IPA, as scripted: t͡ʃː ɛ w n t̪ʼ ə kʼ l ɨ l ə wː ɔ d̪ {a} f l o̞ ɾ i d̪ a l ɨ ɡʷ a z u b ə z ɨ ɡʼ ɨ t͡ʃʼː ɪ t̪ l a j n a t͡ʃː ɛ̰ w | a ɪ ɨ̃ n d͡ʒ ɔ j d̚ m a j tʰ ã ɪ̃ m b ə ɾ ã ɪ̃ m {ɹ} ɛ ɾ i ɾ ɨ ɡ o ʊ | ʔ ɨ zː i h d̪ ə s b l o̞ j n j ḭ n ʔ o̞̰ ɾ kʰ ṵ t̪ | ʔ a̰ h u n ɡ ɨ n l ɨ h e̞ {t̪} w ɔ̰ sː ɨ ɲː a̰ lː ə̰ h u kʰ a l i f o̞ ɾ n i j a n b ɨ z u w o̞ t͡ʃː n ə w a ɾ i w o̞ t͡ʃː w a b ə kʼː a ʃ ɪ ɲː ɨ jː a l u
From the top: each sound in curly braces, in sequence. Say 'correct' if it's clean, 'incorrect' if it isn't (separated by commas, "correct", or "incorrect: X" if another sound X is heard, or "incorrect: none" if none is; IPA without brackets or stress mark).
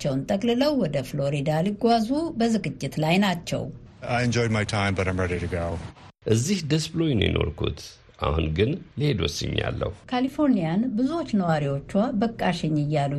incorrect: ə, correct, incorrect: d̪